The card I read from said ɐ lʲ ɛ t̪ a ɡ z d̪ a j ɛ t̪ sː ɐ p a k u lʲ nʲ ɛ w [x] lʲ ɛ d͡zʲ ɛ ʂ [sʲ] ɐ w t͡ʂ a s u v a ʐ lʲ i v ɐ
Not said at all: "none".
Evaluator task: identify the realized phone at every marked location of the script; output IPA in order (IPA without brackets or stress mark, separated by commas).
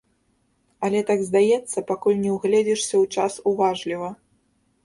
ɣ, sʲ